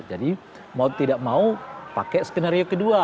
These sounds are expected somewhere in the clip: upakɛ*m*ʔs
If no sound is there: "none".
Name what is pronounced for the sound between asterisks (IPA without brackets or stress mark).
none